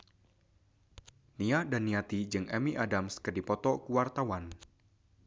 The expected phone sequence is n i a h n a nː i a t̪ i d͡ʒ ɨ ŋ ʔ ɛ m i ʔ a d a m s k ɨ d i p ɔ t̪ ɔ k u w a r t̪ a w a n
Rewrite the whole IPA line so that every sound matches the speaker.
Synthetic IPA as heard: n i a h d a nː i a t̪ i d͡ʒ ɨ ŋ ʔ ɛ m i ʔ a d a m s k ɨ d i p ɔ t̪ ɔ k u w a r t̪ a w a n

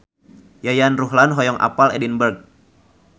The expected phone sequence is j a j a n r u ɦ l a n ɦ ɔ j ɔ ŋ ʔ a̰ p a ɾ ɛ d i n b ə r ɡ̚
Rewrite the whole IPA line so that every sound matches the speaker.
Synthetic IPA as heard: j a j a n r u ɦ l a n ɦ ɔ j ɔ ŋ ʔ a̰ p a l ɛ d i n b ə r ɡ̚

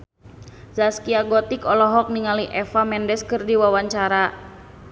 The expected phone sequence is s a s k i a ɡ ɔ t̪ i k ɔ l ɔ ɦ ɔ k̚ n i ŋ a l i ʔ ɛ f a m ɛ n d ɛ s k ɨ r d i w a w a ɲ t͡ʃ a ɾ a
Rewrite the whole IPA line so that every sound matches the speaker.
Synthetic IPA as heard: z a s k i a ɡ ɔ t̪ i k ɔ l ɔ ɦ ɔ k̚ n i ŋ a l i ʔ ɛ f a m ɛ n d ɛ s k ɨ r d i w a w a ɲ t͡ʃ a ɾ a

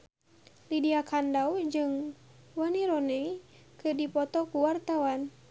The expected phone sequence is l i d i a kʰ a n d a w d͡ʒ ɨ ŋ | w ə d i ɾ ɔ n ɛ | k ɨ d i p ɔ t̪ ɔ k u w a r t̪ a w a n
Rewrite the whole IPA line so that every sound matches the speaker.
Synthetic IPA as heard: l i d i a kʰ a n d a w d͡ʒ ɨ ŋ | w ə n i ɾ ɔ n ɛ | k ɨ d i p ɔ t̪ ɔ k u w a r t̪ a w a n

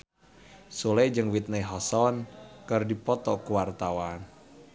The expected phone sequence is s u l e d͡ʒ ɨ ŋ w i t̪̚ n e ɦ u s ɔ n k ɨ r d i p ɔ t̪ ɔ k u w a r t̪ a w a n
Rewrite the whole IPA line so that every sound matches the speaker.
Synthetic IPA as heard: s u l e d͡ʒ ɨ ŋ w i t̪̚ n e ɦ ɔ s ɔ n k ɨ r d i p ɔ t̪ ɔ k u w a r t̪ a w a n

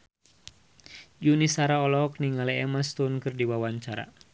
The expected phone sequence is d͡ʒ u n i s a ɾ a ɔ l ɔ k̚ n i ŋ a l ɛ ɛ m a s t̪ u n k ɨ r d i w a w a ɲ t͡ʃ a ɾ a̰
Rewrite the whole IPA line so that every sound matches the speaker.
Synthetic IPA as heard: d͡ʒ u n i s a ɾ a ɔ l ɔ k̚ n i ŋ a l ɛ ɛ m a s t̪ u n k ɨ r d i w a w a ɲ t͡ʃ a ɾ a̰

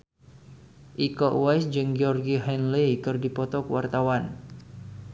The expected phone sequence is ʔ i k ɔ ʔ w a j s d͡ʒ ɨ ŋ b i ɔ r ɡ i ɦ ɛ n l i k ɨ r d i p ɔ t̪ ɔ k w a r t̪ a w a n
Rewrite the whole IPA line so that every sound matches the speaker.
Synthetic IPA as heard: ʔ i k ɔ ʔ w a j s d͡ʒ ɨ ŋ ɡ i ɔ r ɡ i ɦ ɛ n l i k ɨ r d i p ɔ t̪ ɔ k w a r t̪ a w a n

